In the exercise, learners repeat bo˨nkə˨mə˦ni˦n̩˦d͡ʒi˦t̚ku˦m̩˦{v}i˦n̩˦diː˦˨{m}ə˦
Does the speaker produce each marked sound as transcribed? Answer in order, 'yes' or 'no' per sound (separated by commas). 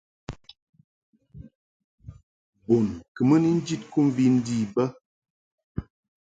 yes, no